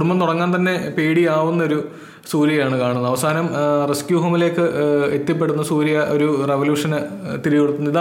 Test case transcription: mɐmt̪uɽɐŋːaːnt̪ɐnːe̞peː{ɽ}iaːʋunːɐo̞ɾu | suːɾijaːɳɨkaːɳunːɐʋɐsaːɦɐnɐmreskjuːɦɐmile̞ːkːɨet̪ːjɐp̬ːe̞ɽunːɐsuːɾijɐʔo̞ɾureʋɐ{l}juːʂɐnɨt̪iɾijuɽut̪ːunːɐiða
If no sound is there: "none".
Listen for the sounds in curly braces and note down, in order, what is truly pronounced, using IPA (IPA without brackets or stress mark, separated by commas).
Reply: ɽ, l